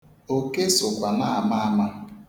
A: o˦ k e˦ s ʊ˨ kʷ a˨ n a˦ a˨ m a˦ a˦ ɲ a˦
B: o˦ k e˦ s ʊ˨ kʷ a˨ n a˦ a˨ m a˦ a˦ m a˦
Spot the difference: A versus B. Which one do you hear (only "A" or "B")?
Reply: B